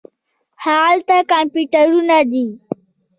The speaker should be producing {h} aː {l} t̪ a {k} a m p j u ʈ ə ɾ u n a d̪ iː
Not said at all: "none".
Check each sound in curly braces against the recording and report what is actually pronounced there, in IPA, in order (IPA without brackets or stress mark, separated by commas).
h, l, k